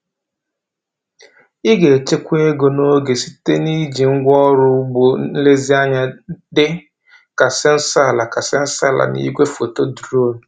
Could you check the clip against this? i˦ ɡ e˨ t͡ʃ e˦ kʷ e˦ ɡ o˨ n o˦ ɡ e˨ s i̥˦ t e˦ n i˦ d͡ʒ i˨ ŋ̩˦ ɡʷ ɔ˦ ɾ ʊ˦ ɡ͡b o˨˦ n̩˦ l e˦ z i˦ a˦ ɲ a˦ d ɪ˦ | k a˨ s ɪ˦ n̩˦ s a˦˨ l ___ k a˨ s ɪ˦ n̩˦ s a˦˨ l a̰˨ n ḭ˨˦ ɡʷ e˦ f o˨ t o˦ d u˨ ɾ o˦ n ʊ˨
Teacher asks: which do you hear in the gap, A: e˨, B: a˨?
B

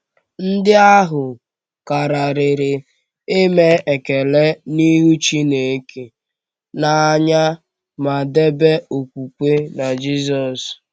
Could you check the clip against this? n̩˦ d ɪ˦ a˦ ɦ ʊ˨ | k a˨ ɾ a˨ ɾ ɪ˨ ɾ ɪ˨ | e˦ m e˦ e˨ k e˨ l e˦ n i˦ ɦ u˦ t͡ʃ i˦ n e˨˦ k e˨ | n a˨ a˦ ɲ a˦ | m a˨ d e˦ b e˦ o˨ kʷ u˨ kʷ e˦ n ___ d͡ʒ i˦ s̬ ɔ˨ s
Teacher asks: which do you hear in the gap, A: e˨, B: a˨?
B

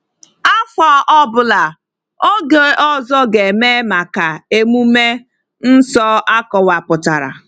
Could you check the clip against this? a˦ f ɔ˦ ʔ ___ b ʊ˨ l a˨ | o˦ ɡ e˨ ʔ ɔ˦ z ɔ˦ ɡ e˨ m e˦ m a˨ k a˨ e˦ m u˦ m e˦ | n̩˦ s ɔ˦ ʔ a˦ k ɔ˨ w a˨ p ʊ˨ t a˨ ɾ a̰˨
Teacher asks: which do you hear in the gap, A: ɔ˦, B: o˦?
A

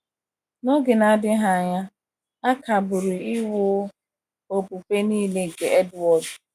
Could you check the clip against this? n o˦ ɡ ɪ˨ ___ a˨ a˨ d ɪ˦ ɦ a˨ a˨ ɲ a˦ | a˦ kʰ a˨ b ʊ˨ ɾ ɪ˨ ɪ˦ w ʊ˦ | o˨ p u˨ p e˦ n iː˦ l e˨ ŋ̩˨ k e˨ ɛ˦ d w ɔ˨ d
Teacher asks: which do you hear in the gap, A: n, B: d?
A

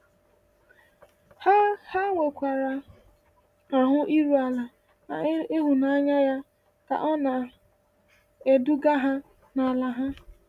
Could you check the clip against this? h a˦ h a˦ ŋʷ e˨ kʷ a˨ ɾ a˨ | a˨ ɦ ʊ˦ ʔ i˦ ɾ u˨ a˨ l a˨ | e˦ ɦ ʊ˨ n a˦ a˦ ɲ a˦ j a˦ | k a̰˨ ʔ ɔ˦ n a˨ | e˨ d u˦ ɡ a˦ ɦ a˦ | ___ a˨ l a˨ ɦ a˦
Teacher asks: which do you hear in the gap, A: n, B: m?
A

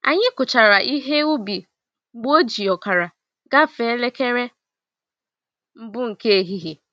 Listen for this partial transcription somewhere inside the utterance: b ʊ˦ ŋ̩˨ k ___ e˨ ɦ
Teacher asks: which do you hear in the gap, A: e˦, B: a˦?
A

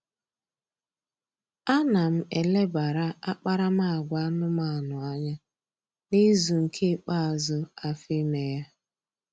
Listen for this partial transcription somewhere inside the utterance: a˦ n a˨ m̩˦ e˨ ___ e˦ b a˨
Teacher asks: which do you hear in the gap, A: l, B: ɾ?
A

